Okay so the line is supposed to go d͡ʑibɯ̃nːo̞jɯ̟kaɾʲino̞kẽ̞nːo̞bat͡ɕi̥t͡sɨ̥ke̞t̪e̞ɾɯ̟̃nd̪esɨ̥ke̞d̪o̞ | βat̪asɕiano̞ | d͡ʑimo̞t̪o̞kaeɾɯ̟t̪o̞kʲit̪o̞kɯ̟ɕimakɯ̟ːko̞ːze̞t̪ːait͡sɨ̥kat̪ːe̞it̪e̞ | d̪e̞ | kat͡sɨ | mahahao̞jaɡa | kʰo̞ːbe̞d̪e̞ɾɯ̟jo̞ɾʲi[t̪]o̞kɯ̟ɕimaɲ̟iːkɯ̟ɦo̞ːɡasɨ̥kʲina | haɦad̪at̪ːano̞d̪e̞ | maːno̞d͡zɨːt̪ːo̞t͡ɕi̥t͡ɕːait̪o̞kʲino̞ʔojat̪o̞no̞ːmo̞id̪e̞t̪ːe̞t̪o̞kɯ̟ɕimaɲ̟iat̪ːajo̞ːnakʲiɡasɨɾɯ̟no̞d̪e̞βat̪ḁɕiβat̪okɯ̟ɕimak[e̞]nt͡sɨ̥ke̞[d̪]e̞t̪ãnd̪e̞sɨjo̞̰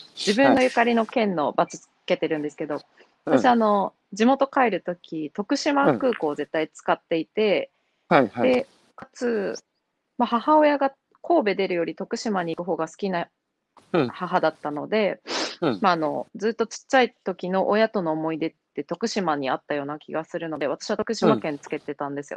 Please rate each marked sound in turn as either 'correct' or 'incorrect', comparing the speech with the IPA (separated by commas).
correct, incorrect, incorrect